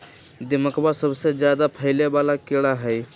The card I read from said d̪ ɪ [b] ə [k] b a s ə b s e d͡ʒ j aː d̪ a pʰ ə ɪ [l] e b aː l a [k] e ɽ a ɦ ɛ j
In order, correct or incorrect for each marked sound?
incorrect: m, correct, correct, correct

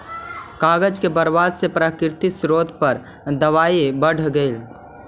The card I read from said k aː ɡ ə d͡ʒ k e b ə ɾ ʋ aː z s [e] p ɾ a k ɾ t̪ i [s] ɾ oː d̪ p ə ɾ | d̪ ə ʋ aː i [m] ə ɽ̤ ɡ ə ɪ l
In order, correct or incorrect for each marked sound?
correct, correct, incorrect: b

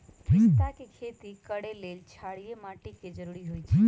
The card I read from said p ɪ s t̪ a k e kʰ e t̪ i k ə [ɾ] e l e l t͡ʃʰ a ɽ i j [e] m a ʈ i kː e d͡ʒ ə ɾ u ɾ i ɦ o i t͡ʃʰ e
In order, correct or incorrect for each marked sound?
incorrect: ɽ, correct

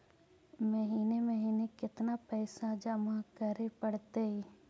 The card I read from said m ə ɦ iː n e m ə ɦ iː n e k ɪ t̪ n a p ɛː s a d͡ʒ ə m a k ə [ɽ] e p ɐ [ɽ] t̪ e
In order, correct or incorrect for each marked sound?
incorrect: ɾ, correct

